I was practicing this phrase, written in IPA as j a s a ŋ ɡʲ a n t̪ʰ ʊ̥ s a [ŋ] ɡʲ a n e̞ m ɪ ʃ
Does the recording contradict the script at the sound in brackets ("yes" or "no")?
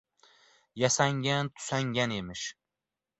no